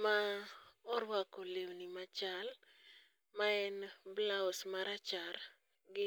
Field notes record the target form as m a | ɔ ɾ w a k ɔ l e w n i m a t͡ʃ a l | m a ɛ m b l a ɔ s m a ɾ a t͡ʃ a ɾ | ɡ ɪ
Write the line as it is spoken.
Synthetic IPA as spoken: m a | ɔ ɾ w a k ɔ l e w n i m a t͡ʃ a l | m a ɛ n b l a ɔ s m a ɾ a t͡ʃ a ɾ | ɡ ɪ